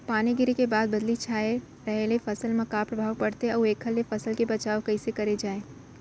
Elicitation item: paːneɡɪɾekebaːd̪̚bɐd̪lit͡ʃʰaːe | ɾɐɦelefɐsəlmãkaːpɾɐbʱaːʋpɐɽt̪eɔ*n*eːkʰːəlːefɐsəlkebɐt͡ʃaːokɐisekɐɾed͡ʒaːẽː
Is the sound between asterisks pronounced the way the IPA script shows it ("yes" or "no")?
no